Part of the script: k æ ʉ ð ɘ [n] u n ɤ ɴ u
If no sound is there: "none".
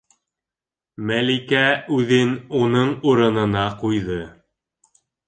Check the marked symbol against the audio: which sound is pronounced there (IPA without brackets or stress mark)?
n